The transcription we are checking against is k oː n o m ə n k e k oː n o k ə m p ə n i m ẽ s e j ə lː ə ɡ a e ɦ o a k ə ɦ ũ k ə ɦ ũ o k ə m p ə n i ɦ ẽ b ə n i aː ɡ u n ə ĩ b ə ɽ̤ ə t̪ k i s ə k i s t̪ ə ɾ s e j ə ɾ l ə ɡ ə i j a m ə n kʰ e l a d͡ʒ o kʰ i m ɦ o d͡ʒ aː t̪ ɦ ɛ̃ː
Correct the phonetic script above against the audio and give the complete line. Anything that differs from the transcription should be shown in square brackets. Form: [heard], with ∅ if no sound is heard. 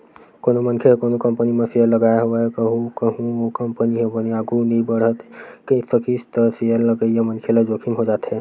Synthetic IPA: k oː n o m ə n [kʰ] e k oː n o k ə m p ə n i m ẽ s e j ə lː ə ɡ a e ɦ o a k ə ɦ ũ k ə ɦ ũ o k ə m p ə n i ɦ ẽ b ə n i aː ɡ u n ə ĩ b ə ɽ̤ ə t̪ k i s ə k i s t̪ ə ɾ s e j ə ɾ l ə ɡ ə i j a m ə n kʰ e l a d͡ʒ o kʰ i m ɦ o d͡ʒ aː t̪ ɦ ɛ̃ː